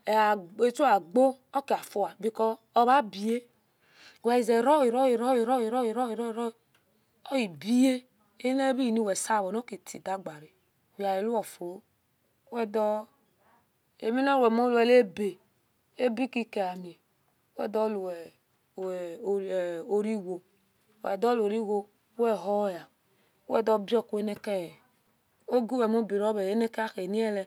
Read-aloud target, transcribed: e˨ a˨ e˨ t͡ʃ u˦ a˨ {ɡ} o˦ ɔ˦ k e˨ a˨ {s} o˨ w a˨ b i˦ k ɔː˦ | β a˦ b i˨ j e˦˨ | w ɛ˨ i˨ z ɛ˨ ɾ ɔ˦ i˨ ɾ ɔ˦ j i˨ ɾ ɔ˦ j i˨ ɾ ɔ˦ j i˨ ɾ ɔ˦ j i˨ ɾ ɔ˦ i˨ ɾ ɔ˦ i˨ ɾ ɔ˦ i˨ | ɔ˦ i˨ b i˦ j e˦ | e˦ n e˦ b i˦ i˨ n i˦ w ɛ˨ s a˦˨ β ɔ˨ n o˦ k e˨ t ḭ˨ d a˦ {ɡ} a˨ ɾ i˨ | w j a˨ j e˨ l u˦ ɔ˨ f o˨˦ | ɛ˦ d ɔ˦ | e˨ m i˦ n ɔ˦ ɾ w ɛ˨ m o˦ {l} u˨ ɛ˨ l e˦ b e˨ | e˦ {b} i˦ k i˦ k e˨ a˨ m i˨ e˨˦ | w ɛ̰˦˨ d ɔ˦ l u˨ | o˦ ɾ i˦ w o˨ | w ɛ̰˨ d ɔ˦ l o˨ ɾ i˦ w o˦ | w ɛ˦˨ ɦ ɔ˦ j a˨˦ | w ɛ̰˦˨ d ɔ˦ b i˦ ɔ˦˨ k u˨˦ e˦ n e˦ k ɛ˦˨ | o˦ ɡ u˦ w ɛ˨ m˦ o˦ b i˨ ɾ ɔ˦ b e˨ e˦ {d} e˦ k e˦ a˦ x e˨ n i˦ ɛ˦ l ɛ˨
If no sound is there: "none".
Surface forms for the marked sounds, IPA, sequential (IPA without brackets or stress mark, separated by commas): ɡ͡b, f, ɡ͡b, l, b, n